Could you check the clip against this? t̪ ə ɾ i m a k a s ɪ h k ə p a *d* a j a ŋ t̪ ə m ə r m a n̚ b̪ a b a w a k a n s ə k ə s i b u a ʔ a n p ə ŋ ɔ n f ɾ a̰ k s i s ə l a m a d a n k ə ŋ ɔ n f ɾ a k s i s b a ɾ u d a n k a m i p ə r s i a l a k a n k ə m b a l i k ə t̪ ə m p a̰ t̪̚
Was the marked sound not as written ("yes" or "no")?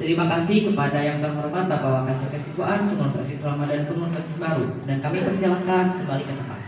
no